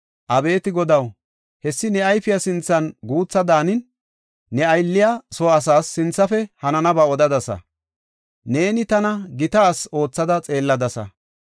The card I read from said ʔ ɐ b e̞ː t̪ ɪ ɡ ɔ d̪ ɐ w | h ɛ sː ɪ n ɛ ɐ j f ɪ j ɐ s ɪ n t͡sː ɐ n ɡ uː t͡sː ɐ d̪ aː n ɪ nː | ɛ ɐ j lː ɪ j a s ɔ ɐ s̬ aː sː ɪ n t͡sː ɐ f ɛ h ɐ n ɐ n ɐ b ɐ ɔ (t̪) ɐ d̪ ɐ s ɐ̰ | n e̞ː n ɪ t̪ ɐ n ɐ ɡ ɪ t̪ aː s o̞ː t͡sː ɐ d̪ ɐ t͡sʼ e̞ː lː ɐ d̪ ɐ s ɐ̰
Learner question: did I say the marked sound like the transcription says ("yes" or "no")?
no